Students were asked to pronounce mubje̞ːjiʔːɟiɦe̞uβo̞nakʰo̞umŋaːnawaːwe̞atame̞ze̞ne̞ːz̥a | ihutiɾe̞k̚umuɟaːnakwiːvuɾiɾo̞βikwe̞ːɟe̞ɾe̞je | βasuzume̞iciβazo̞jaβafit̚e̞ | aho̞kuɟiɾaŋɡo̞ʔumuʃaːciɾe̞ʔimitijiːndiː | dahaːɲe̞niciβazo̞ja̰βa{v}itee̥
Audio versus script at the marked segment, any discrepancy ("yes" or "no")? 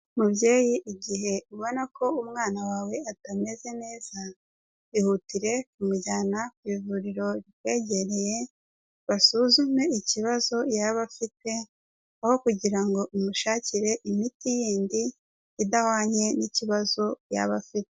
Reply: yes